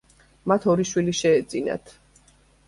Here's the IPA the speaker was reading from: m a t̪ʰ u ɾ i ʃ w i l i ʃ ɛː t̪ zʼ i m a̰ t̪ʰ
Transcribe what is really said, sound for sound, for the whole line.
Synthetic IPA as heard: m a t̪ʰ ɔ ɾ i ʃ w i l i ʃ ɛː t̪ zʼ i n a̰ t̪ʰ